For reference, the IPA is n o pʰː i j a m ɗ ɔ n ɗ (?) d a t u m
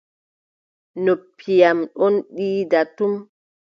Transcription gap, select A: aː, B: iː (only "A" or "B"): B